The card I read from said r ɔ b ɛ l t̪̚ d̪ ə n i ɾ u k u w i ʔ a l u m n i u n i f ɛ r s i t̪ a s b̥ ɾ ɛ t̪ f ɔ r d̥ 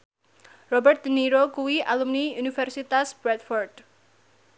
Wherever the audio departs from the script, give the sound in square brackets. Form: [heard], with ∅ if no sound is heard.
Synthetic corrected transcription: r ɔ b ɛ [r] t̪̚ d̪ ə n i ɾ [o] k u w i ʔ a l u m n i u n i f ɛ r s i t̪ a s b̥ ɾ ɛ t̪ f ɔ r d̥

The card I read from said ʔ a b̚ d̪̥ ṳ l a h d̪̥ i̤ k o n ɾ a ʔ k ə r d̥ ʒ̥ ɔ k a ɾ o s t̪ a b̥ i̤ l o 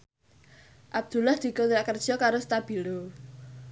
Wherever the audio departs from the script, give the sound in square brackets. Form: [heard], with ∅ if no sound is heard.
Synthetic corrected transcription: ʔ a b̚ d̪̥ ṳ l a h d̪̥ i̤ k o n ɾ a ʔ k ə r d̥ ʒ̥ ɔ k a ɾ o s t̪ a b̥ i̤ l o

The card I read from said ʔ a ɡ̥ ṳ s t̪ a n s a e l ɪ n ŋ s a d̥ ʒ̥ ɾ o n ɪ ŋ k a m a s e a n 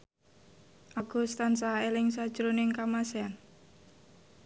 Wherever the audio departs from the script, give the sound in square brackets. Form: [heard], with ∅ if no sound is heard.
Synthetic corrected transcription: ʔ a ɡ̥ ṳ s t̪ a n s a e l ɪ [∅] ŋ s a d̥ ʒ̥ ɾ o n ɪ ŋ k a m a s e a n

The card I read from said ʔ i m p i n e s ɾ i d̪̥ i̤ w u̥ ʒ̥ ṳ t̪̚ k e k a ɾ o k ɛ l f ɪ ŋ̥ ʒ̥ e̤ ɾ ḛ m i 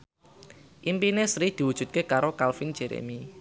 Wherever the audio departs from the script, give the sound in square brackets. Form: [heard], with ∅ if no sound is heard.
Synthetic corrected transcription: ʔ i m p i n e s ɾ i d̪̥ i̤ w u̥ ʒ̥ ṳ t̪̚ k e k a ɾ o k [a] l f ɪ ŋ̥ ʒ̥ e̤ ɾ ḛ m i

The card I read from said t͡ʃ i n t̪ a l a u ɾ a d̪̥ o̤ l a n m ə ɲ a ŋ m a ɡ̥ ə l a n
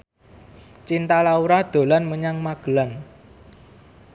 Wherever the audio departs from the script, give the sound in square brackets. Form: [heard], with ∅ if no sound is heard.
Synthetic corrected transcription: t͡ʃ i n t̪ a l a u ɾ a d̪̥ o̤ l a n m ə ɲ a ŋ m a ɡ̥ ə l a n

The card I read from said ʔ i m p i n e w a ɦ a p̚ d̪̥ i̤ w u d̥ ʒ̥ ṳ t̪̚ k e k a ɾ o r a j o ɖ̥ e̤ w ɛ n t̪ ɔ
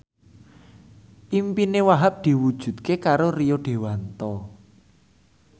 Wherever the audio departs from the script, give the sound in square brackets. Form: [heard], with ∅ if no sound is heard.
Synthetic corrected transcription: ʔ i m p i n e w a ɦ a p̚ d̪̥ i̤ w u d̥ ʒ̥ ṳ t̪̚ k e k a ɾ o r [i] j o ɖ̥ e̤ w [a] n t̪ ɔ

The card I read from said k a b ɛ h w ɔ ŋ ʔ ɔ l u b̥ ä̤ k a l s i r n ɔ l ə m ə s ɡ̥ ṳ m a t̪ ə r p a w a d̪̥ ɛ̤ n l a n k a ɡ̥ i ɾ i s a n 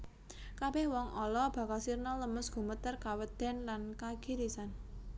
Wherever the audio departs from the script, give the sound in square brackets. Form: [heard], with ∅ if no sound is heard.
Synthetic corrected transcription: k a b ɛ h w ɔ ŋ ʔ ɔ l [ɔ] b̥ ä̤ k a l s i r n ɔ l ə m ə s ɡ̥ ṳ m [ə] t̪ ə r [k] a w [ə] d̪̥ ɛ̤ n l a n k a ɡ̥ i ɾ i s a n

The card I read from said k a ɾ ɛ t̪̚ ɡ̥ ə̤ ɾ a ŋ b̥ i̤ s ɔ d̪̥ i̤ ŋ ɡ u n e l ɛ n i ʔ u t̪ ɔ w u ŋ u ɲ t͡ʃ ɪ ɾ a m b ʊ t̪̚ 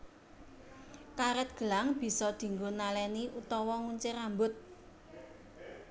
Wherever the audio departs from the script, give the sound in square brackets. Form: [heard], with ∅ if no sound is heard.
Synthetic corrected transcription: k a ɾ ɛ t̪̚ ɡ̥ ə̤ [l] a ŋ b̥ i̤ s ɔ d̪̥ i̤ ŋ ɡ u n [a] l ɛ n i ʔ u t̪ ɔ w [ɔ] ŋ u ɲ t͡ʃ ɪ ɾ a m b ʊ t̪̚

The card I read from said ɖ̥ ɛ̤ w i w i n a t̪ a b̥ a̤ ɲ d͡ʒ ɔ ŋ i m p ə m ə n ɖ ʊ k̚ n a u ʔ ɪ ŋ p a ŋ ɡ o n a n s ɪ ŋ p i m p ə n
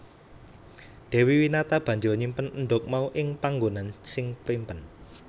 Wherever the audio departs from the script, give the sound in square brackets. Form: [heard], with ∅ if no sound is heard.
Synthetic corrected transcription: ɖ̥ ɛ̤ w i w i n a t̪ a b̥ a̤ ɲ d͡ʒ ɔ [ɲ] i m p ə [n] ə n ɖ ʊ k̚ [m] a u ʔ ɪ ŋ p a ŋ ɡ o n a n s ɪ ŋ p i m p ə n

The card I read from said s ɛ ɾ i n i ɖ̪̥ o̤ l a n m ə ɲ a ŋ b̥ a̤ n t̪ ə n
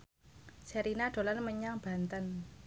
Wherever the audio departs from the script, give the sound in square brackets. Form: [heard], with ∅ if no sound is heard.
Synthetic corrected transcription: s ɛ ɾ i n [a] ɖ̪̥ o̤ l a n m ə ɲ a ŋ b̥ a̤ n t̪ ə n

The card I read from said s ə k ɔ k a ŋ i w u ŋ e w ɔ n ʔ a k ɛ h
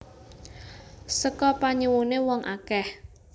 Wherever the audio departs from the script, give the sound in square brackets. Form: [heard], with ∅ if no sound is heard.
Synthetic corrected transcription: s ə k ɔ [p] a [ɲ] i w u [n] e w ɔ [ŋ] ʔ a k ɛ h

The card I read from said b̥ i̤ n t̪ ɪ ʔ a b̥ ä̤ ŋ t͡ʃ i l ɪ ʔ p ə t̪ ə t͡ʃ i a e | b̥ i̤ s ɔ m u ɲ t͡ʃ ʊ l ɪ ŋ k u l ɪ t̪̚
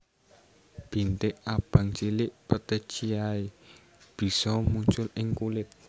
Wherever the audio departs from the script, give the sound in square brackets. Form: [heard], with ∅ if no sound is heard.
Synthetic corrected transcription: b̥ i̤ n t̪ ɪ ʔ a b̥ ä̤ ŋ t͡ʃ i l ɪ ʔ p ə t̪ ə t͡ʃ i a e | b̥ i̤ s ɔ m u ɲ t͡ʃ ʊ l ɪ ŋ k u l ɪ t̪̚

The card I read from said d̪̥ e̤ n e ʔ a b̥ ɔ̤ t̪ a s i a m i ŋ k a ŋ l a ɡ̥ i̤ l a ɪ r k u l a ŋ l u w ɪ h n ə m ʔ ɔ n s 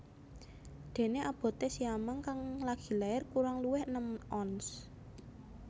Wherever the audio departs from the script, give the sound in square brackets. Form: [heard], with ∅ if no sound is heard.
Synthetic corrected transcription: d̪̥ e̤ n e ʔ a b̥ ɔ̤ t̪ [e] s i a m [a] ŋ k a ŋ l a ɡ̥ i̤ l a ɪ r k u [ɾ] a ŋ l u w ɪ h n ə m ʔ ɔ n s

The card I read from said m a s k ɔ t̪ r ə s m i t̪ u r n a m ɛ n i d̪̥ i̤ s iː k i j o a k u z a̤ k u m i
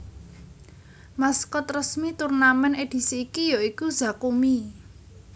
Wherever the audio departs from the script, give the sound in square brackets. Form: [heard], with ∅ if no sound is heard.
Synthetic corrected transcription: m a s k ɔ t̪ r ə s m i t̪ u r n a m ɛ n [e] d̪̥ i̤ s iː k i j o [i] k u z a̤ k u m i

